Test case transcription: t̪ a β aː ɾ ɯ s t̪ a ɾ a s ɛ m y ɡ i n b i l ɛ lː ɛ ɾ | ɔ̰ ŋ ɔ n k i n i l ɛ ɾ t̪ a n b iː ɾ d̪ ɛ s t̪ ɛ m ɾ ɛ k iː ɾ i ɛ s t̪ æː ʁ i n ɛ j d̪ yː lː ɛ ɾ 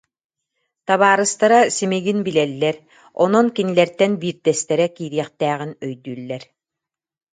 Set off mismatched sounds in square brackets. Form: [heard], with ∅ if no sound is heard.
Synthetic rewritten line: t̪ a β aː ɾ ɯ s t̪ a ɾ a s [i] m [i] ɡ i n b i l ɛ lː ɛ ɾ | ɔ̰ [n] ɔ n k i n i l ɛ ɾ t̪ [ɛ] n b iː ɾ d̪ ɛ s t̪ ɛ [∅] ɾ ɛ k iː ɾ i ɛ [χ] t̪ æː ʁ i n [œ] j d̪ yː lː ɛ ɾ